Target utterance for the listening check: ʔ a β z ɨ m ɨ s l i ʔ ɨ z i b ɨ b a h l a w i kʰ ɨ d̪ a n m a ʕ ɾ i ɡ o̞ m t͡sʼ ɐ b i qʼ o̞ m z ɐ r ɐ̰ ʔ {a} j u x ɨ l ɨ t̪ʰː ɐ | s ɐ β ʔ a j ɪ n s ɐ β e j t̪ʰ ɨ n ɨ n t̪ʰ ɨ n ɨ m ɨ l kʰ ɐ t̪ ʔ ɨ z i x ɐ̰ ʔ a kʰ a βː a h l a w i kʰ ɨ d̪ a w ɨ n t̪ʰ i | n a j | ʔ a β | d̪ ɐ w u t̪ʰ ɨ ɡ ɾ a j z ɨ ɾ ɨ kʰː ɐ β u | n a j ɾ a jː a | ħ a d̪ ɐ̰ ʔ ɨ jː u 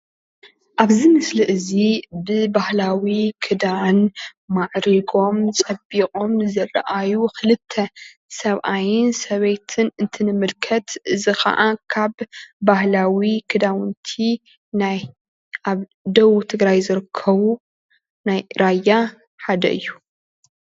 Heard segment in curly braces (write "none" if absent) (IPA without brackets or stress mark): a